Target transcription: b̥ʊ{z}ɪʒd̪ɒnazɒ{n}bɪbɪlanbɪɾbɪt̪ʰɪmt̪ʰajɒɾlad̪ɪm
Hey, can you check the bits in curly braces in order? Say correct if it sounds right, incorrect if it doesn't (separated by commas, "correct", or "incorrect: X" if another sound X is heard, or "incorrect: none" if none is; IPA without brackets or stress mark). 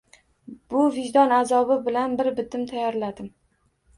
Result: incorrect: v, incorrect: none